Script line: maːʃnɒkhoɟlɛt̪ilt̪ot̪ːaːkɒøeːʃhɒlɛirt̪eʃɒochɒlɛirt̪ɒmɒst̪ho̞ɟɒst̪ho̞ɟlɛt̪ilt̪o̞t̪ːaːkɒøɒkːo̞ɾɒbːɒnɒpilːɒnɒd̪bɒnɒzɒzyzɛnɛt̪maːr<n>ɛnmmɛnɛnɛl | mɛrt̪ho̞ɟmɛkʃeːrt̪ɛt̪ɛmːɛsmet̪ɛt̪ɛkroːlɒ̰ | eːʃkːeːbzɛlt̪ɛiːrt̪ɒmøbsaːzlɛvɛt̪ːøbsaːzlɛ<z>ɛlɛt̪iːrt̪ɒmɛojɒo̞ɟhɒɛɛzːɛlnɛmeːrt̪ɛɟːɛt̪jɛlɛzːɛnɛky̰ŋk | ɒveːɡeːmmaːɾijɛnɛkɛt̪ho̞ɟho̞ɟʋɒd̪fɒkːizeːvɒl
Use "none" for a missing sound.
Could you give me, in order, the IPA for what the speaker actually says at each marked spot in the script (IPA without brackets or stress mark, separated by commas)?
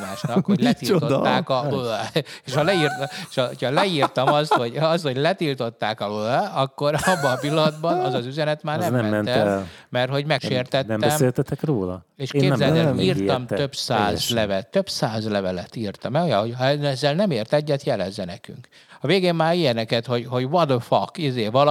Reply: n, v